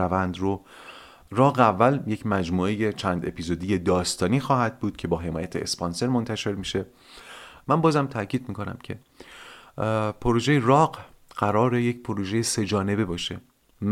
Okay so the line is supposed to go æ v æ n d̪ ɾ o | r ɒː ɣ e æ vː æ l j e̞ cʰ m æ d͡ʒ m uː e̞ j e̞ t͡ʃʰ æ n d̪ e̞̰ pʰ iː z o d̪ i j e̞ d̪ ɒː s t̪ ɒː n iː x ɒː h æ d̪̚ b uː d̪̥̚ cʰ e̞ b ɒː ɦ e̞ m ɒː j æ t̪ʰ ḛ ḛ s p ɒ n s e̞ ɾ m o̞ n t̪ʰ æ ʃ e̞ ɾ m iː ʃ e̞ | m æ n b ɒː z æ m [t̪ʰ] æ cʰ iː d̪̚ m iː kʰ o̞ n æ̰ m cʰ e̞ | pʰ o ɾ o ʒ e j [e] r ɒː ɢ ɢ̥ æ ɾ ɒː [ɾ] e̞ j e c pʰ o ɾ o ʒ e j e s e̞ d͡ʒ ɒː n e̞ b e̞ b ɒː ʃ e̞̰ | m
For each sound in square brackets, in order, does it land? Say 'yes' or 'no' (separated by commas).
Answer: yes, yes, yes